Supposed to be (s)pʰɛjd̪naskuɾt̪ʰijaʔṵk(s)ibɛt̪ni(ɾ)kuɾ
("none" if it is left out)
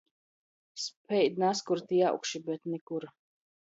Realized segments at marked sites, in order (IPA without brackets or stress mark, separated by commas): s, ʃ, none